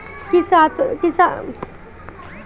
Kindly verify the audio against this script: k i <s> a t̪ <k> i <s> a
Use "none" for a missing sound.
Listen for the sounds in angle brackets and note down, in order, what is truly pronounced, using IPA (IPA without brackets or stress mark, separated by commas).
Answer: s, k, s